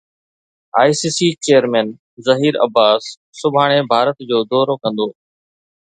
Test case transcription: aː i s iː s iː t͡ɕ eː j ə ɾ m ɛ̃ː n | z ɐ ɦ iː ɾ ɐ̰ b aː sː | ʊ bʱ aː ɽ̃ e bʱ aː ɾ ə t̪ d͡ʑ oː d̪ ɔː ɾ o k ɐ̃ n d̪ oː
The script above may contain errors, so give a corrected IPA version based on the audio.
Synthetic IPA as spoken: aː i s iː s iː t͡ɕ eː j ə ɾ m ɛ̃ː n | z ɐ ɦ iː ɾ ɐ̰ b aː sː | ʊ bʱ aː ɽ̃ e bʱ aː ɾ ə t̪ d͡ʑ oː d̪ ɔː ɾ o k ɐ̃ n d̪ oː